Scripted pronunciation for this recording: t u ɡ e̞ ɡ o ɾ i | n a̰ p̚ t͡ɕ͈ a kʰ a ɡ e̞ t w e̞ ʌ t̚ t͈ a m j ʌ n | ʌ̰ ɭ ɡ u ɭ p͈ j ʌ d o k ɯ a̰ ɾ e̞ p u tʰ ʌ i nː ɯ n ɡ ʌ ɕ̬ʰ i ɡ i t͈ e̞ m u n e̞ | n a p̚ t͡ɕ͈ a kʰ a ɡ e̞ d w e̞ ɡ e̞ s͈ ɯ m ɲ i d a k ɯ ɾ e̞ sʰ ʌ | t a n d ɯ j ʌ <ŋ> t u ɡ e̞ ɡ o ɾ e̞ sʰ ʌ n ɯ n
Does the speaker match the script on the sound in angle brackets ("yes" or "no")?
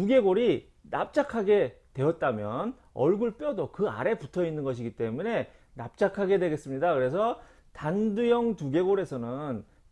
yes